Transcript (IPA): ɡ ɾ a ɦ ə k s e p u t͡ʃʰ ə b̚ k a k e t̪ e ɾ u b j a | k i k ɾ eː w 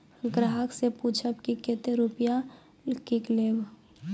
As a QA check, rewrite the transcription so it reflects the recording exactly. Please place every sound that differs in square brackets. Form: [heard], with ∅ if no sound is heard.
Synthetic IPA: ɡ ɾ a ɦ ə k s e p u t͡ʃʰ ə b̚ k [i] k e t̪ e ɾ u [p] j a | k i k [l] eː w